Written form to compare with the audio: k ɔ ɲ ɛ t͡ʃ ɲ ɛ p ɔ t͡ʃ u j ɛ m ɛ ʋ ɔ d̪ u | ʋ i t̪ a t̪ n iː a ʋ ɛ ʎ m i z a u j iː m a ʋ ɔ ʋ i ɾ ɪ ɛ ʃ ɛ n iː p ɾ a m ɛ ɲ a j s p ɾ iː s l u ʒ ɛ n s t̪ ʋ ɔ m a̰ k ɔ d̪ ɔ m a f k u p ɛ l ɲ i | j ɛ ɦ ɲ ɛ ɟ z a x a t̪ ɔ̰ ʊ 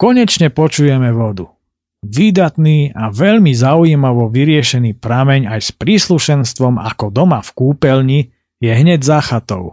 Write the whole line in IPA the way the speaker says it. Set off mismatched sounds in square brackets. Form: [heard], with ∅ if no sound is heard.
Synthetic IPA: k ɔ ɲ ɛ t͡ʃ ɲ ɛ p ɔ t͡ʃ u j ɛ m ɛ ʋ ɔ d̪ u | ʋ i [d̪] a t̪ n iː a ʋ ɛ ʎ m i z a u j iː m a ʋ ɔ ʋ i ɾ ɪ ɛ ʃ ɛ n iː p ɾ a m ɛ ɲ a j s p ɾ iː s l u [ʃ] ɛ n s t̪ ʋ ɔ m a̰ k ɔ d̪ ɔ m a f k [uː] p ɛ l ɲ i | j ɛ ɦ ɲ ɛ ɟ z a x a t̪ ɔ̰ ʊ